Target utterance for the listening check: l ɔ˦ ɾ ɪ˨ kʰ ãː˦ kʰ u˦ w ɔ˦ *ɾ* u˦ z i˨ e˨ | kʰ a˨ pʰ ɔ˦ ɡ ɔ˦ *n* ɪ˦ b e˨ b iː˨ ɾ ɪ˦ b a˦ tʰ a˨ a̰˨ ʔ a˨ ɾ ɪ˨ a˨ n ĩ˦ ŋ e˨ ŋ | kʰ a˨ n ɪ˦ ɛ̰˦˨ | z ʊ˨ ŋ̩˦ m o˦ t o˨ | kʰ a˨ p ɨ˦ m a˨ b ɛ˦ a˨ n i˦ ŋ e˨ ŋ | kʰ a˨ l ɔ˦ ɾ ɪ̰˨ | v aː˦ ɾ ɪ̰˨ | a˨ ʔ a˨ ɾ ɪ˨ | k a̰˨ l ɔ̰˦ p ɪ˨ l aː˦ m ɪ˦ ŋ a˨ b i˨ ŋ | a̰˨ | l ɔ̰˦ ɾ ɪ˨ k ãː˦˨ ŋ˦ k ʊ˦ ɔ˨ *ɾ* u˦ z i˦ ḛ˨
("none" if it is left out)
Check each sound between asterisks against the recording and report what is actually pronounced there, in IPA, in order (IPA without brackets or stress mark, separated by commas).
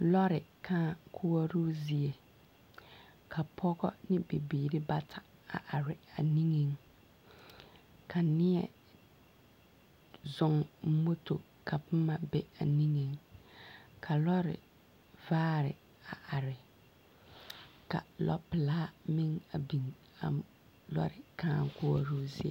ɾ, n, ɾ